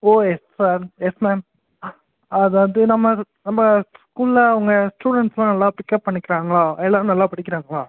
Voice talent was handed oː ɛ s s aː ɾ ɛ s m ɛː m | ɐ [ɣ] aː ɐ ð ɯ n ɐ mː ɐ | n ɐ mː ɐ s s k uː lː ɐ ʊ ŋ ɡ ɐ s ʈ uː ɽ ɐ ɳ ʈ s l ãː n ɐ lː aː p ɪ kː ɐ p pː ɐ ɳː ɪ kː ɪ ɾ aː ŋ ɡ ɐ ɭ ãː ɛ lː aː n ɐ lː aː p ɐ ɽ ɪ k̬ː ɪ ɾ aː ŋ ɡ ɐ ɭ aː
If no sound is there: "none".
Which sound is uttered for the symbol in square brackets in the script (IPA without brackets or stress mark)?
ð